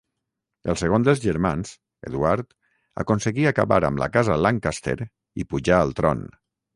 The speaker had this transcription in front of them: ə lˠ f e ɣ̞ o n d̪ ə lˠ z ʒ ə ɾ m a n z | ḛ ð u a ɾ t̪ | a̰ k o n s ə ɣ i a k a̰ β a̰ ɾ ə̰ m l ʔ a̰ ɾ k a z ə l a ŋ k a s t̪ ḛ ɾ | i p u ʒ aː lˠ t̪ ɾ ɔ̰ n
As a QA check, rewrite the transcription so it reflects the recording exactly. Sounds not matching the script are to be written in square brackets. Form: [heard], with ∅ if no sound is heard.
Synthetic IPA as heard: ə lˠ [s] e ɣ̞ o n d̪ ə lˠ z ʒ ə ɾ m a n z | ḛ ð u a ɾ t̪ | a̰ k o n s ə ɣ i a k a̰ β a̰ ɾ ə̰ m l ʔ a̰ [∅] k a z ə l a ŋ k a s t̪ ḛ ɾ | i p u ʒ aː lˠ t̪ ɾ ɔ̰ n

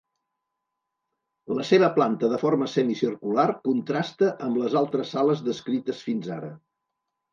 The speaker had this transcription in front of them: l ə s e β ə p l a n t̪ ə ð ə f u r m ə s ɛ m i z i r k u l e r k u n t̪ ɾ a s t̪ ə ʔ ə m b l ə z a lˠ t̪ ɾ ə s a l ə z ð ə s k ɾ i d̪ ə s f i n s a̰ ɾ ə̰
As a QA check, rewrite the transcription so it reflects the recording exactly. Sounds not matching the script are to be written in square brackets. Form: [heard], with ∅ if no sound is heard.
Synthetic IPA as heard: l ə s e β ə p l a n t̪ ə ð ə f [o] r m ə s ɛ m i [s] i r k u l [a] r k u n t̪ ɾ a s t̪ ə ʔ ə m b l ə z a lˠ t̪ ɾ ə s a l ə z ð ə s k ɾ i [t̪] ə s f i n [z] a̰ ɾ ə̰

